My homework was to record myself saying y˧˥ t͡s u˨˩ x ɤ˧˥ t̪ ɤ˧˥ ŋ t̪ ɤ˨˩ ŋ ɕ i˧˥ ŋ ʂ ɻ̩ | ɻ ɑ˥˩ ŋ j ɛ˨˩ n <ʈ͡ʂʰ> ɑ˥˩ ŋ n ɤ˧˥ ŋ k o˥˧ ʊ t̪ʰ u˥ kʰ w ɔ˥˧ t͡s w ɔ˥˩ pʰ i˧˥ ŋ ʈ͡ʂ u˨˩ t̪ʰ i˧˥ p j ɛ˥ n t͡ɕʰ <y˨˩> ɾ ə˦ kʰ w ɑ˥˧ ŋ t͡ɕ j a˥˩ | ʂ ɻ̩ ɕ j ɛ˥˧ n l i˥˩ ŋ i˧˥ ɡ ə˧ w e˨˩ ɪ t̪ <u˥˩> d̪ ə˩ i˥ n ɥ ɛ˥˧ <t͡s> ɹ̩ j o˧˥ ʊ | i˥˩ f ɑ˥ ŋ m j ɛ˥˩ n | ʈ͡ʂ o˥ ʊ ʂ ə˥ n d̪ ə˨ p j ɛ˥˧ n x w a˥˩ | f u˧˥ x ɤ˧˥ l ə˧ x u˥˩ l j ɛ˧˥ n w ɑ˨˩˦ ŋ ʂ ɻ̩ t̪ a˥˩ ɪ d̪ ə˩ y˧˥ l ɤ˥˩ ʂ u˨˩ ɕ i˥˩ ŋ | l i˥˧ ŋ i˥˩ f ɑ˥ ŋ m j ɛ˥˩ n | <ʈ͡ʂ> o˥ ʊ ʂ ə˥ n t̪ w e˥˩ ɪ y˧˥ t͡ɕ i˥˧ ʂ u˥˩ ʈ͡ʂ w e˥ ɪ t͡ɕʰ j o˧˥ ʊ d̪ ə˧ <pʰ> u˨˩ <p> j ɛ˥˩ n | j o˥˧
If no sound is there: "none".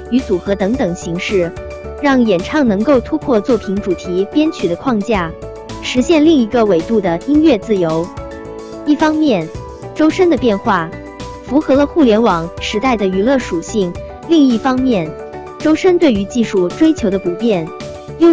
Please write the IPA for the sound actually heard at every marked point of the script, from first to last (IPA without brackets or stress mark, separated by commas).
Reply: ʈ͡ʂʰ, y˨˩, u˥˩, t͡s, ʈ͡ʂ, p, p